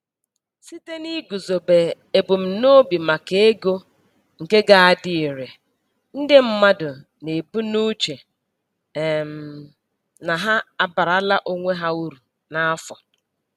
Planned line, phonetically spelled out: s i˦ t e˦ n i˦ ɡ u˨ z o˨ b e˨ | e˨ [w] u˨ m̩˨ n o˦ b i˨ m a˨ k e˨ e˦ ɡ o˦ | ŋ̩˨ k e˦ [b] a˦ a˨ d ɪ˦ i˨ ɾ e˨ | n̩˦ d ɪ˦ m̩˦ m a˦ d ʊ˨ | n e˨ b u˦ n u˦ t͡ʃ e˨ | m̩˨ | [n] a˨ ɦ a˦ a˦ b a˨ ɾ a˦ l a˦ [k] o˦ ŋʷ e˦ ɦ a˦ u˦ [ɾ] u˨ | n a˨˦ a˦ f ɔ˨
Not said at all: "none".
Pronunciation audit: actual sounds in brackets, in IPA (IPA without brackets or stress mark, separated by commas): b, ɡ, n, ʔ, ɾ